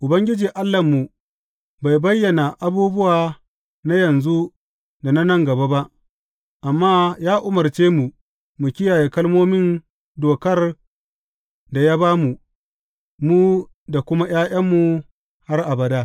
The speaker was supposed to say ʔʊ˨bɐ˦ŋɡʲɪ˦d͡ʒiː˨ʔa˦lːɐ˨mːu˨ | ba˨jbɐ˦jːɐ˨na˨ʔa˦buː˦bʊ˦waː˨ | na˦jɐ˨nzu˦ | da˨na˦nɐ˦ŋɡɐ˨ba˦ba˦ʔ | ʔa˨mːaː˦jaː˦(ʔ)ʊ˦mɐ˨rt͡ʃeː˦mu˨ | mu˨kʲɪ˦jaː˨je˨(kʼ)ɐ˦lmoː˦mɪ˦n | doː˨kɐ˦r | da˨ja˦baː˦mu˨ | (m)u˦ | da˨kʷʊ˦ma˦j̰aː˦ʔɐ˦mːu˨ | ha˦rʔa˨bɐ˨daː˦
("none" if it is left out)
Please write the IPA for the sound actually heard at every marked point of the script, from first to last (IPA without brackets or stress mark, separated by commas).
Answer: ʔ, k, m